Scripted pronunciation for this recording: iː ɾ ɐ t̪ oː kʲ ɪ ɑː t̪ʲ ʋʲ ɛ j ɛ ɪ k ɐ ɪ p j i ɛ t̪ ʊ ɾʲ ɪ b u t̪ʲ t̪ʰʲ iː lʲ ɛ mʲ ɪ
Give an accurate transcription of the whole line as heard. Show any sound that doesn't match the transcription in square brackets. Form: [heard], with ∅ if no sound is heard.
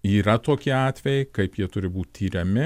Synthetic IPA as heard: iː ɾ ɐ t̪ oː kʲ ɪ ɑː t̪ʲ ʋʲ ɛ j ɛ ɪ k ɐ ɪ p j i ɛ t̪ ʊ ɾʲ ɪ b [uː] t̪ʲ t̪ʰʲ iː [ɾʲ] ɛ mʲ ɪ